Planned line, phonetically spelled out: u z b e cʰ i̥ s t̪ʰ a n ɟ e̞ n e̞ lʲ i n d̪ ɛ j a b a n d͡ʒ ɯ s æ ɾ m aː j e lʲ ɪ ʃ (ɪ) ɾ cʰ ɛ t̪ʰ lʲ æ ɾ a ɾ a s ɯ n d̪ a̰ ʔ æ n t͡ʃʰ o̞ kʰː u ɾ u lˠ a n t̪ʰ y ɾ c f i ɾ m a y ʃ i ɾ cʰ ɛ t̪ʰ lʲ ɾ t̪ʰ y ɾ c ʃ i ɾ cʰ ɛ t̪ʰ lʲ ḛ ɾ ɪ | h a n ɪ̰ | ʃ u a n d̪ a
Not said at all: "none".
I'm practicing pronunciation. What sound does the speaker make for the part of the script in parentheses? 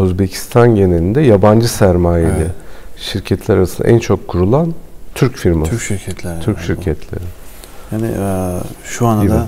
i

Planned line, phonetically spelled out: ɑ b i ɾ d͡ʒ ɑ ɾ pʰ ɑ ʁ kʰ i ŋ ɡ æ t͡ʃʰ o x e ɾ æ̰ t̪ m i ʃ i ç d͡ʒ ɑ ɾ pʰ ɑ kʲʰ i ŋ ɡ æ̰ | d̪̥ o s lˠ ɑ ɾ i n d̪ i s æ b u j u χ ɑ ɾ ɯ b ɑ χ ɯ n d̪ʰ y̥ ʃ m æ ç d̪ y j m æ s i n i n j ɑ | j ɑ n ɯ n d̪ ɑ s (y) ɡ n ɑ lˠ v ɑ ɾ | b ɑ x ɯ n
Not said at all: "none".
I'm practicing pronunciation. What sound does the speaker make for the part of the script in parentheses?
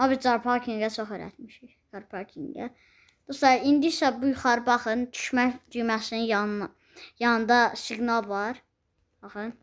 i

